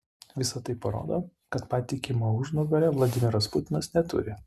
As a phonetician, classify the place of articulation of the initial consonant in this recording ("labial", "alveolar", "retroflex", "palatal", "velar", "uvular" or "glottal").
labial